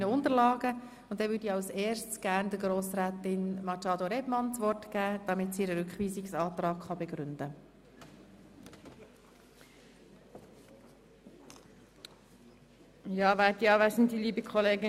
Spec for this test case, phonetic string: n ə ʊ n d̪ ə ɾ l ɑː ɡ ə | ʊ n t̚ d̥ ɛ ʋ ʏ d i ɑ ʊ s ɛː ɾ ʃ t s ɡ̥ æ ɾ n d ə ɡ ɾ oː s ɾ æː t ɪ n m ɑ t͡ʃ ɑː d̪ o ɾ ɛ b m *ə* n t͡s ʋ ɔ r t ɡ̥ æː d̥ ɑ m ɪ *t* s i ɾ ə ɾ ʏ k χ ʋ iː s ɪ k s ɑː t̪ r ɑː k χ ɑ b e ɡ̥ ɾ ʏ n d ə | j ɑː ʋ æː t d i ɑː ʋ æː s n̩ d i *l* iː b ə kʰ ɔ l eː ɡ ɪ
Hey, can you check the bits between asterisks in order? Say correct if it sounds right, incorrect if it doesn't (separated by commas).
incorrect, correct, correct